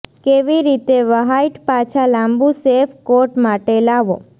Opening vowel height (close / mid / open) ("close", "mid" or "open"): mid